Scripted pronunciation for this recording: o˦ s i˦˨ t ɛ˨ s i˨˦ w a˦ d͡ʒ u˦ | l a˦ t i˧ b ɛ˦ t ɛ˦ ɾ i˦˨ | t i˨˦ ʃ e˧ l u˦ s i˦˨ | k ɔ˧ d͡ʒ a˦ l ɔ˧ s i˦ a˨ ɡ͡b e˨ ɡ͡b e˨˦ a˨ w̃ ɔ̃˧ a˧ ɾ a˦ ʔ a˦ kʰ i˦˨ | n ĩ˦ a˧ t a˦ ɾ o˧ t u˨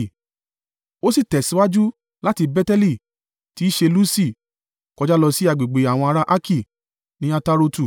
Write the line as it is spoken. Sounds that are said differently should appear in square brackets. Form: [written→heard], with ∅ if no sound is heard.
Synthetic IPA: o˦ s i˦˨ t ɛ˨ s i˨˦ w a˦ d͡ʒ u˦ | l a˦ t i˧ b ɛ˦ t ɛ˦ [ɾ→l] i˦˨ | t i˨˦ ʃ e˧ l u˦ s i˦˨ | k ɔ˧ d͡ʒ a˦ l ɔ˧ s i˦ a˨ ɡ͡b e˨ ɡ͡b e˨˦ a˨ w̃ ɔ̃˧ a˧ ɾ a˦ ʔ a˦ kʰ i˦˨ | n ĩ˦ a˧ t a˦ ɾ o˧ t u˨